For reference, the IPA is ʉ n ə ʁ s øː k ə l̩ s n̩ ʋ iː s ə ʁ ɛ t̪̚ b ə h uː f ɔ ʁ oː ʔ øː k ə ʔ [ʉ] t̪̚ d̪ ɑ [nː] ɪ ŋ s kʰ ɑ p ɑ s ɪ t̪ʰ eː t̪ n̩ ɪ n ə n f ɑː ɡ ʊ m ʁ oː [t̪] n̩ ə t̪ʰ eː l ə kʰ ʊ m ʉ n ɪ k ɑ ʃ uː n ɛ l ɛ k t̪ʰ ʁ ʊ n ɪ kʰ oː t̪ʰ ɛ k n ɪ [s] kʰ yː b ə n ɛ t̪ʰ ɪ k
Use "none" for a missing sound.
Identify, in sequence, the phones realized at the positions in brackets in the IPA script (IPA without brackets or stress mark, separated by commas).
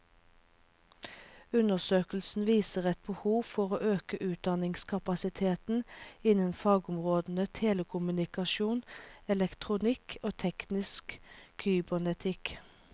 ʉː, n, d̪, s